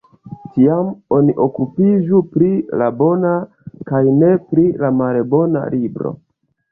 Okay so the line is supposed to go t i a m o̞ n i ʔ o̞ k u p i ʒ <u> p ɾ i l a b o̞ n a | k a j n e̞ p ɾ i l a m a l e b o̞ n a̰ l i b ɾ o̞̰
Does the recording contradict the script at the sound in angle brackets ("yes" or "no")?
no